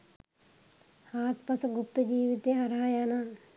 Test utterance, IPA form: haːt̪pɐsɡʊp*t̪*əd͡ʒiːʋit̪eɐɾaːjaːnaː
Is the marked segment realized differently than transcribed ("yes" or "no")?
no